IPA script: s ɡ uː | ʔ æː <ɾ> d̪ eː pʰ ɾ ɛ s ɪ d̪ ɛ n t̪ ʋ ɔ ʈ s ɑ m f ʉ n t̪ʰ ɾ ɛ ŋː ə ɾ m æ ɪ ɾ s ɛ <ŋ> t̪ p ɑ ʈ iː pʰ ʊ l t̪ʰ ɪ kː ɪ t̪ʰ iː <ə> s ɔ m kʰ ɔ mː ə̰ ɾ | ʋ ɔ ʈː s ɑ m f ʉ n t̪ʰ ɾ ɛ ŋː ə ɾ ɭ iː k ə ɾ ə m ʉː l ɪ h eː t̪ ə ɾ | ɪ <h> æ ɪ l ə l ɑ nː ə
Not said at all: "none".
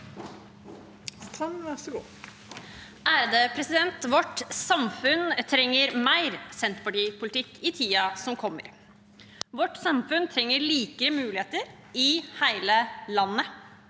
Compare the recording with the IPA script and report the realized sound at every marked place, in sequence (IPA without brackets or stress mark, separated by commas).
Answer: ɾ, n, ɑ, h